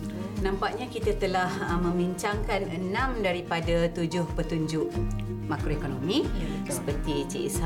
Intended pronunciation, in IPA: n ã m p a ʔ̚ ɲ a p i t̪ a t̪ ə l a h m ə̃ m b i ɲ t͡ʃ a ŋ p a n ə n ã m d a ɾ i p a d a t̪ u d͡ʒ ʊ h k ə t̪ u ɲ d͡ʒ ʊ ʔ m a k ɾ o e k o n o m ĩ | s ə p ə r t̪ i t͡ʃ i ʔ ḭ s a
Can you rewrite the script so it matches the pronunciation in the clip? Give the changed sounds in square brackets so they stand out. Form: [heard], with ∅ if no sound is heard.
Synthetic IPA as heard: n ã m p a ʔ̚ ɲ a [k] i t̪ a t̪ ə l a h m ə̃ m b i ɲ t͡ʃ a ŋ [k] a n ə n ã m d a ɾ i p a d a t̪ u d͡ʒ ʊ h [p] ə t̪ u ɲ d͡ʒ ʊ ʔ m a k ɾ o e k o n o m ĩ | s ə p ə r t̪ i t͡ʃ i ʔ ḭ s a